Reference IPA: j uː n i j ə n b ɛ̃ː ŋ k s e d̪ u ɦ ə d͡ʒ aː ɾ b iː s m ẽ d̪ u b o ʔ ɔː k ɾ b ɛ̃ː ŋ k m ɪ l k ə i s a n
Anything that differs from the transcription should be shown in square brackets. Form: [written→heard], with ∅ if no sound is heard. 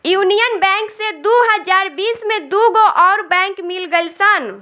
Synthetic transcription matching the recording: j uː n i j ə n b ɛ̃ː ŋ k s e d̪ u ɦ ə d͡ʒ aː ɾ b iː s m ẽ d̪ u [b→ɡ] o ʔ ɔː [k→∅] ɾ b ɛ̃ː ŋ k m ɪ l [k→ɡ] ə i s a n

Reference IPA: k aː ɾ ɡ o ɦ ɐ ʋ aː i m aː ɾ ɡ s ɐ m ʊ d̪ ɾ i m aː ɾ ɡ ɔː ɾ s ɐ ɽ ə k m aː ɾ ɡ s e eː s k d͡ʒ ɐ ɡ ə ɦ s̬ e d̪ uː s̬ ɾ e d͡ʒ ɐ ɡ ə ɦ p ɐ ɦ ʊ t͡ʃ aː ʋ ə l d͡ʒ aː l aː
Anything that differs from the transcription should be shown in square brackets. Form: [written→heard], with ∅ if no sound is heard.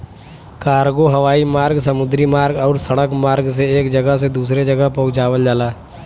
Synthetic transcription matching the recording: k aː ɾ ɡ o ɦ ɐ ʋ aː i m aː ɾ ɡ s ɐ m ʊ d̪ ɾ i m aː ɾ ɡ ɔː ɾ s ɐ ɽ ə k m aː ɾ ɡ s e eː [s→∅] k d͡ʒ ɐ ɡ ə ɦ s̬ e d̪ uː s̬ ɾ e d͡ʒ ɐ ɡ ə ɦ p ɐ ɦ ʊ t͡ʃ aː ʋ ə l d͡ʒ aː l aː

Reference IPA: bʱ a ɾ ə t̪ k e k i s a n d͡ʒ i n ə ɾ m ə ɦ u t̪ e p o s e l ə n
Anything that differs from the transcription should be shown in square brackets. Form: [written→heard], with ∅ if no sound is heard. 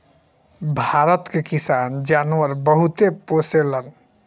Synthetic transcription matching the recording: bʱ a ɾ ə t̪ k e k i s a n d͡ʒ [i→a] n ə ɾ [m→b] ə ɦ u t̪ e p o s e l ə n

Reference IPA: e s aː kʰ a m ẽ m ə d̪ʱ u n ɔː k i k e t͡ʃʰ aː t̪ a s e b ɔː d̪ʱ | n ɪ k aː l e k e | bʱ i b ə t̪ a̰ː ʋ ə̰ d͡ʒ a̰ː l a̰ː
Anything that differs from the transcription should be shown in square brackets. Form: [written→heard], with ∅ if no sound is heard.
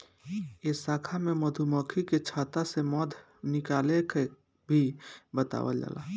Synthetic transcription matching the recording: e s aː kʰ a m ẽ m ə d̪ʱ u [n→m] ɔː [k→kʰ] i k e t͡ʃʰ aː t̪ a s e [b→m] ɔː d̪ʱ | n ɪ k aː l e k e | bʱ i b ə t̪ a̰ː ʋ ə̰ d͡ʒ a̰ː l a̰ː

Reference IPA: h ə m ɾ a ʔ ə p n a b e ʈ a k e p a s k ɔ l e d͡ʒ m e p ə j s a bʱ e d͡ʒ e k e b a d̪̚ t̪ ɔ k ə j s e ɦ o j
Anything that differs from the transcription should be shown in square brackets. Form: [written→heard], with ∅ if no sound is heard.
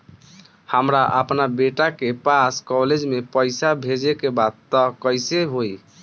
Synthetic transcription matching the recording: h ə m ɾ a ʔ ə p n a b e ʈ a k e p a s k ɔ l e d͡ʒ m e p ə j s a bʱ e d͡ʒ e k e b a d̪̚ t̪ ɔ k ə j s e ɦ o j

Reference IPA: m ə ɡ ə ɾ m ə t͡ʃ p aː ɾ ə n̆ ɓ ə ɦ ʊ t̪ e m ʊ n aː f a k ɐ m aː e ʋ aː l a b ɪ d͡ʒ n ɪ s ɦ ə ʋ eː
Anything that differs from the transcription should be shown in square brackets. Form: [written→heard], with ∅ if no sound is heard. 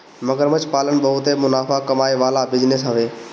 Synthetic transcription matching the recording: m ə ɡ ə ɾ m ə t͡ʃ p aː [ɾ→l] ə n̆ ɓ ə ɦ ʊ t̪ e m ʊ n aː f a k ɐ m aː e ʋ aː l a b ɪ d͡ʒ n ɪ s ɦ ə ʋ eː

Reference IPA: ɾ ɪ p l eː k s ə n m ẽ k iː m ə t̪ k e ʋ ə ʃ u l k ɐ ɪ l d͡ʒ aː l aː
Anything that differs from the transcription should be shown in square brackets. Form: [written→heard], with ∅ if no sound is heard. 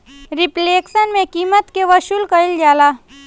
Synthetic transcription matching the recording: ɾ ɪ p l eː k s ə n m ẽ k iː m ə t̪ k e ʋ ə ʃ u l k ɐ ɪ l d͡ʒ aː l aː

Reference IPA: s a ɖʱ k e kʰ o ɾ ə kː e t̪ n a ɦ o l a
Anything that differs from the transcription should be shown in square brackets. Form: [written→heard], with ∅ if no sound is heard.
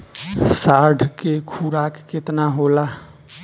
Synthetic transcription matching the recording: s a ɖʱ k e kʰ [o→u] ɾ [ə→a] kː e t̪ n a ɦ o l a

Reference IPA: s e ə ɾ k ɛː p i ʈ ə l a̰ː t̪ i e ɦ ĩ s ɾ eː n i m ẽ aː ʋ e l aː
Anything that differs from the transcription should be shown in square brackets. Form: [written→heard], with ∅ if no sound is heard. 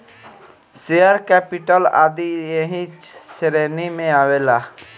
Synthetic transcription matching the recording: s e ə ɾ k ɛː p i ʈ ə l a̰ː [t̪→d̪] i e ɦ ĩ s ɾ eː n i m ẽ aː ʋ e l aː

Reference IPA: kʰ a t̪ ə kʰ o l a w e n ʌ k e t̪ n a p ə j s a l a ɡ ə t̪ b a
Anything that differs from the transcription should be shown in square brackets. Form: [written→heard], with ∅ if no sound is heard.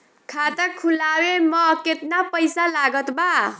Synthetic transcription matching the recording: kʰ a t̪ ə kʰ [o→u] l a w e [n→m] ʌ k e t̪ n a p ə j s a l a ɡ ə t̪ b a

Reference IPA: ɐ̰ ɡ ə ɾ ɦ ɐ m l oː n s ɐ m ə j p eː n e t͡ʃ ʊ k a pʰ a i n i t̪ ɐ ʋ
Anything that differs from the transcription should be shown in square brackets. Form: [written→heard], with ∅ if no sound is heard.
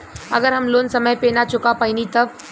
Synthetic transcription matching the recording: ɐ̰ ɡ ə ɾ ɦ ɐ m l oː n s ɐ m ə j p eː n [e→a] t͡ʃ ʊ k a [pʰ→p] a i n i t̪ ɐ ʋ

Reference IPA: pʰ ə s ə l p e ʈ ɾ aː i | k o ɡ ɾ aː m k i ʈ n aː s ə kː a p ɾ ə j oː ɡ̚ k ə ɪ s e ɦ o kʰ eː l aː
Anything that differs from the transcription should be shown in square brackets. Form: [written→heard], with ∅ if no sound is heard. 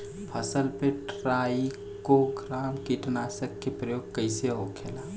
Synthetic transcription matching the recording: pʰ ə s ə l p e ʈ ɾ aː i | k o ɡ ɾ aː m k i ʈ n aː s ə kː [a→e] p ɾ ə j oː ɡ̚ k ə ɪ s e ɦ o kʰ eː l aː

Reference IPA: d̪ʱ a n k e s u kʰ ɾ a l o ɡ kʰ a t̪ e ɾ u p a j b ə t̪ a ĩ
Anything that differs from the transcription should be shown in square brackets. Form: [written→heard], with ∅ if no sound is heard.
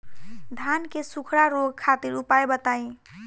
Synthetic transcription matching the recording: d̪ʱ a n k e s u kʰ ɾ a [l→ɾ] o ɡ kʰ a t̪ [e→i] ɾ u p a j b ə t̪ a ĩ

